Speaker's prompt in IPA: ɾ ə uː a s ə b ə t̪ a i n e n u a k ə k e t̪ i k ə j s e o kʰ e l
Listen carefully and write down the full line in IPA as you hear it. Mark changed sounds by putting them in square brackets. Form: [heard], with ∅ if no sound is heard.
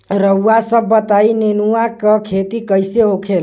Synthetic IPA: ɾ ə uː a s ə [bː] ə t̪ a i n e n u a k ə [kʰ] e t̪ i k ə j s e o kʰ e l